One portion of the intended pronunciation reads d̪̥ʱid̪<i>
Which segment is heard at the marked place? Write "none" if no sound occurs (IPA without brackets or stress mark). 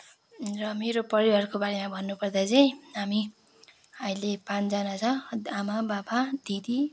i